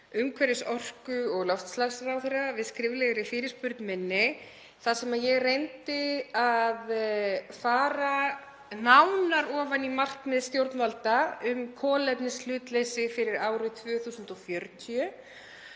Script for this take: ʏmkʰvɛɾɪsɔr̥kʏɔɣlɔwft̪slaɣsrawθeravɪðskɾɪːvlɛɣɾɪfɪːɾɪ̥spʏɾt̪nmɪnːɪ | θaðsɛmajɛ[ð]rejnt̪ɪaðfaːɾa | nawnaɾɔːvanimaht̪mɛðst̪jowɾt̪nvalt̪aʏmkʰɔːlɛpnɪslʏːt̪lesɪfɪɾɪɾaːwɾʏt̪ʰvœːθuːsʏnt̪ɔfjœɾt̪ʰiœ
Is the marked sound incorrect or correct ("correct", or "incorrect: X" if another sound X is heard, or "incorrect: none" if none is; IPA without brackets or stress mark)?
incorrect: ɣ